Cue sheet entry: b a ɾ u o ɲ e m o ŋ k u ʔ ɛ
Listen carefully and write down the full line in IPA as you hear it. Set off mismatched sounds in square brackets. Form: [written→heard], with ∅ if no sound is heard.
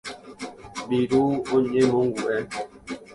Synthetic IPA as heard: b [a→i] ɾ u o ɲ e m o ŋ [k→ɡ] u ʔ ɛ